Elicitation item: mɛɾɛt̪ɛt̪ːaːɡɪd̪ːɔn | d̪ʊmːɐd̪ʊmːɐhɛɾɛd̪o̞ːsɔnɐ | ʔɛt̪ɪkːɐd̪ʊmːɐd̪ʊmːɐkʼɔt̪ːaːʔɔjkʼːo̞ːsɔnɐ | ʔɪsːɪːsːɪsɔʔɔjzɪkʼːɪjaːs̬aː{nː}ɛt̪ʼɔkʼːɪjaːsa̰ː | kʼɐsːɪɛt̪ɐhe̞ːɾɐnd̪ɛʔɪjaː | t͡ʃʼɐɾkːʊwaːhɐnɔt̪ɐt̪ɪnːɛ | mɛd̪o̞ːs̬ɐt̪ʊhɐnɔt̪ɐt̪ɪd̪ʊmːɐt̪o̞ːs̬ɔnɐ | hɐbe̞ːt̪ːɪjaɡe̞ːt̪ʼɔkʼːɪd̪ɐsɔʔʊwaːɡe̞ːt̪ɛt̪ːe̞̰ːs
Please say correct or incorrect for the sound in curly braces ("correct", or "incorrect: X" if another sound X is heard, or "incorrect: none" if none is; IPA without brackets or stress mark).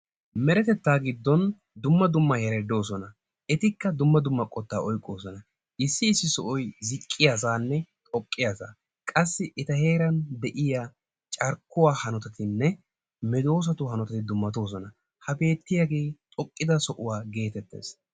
correct